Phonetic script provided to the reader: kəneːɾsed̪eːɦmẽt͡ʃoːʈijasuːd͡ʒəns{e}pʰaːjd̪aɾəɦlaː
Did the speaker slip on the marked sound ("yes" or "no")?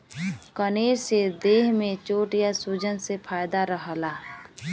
no